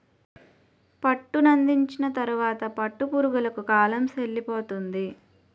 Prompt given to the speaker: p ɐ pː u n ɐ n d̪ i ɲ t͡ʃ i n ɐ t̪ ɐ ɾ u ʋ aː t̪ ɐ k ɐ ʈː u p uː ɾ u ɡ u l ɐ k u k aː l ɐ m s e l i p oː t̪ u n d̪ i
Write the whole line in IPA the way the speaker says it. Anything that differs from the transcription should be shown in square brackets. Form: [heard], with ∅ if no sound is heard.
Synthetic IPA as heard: p ɐ [ʈː] u n ɐ n d̪ i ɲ t͡ʃ i n ɐ t̪ ɐ ɾ u ʋ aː t̪ ɐ [p] ɐ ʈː u p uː ɾ u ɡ u l ɐ k u k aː l ɐ m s e [lː] i p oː t̪ u n d̪ i